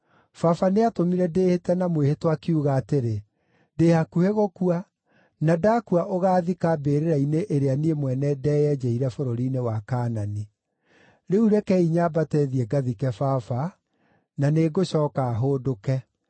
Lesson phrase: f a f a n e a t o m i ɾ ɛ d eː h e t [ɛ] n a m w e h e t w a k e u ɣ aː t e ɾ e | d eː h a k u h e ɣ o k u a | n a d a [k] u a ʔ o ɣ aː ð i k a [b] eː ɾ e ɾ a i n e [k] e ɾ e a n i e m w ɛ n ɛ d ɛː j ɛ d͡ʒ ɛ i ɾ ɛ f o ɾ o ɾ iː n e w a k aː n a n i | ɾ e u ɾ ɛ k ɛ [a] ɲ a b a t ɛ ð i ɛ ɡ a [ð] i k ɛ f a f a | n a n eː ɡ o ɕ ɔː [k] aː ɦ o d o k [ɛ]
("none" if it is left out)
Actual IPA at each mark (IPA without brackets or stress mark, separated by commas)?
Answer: ɛ, k, b, ʔ, i, ð, k, ɛ